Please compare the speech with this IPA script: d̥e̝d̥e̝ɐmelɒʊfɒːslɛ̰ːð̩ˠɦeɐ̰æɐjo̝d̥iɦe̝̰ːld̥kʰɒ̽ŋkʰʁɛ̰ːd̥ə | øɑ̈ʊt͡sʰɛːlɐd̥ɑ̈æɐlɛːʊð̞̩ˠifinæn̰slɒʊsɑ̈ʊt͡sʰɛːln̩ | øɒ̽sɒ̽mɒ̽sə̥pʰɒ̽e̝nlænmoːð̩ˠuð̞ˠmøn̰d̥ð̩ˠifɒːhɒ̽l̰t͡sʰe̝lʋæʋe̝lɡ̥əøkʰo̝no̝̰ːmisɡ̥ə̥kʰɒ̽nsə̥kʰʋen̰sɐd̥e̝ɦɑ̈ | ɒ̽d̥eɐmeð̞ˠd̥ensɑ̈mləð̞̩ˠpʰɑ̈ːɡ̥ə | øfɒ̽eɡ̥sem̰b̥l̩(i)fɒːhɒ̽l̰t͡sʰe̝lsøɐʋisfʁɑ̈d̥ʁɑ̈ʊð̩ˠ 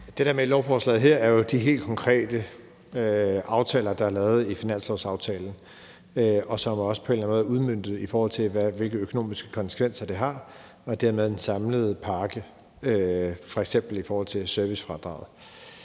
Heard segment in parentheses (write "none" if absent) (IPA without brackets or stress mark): i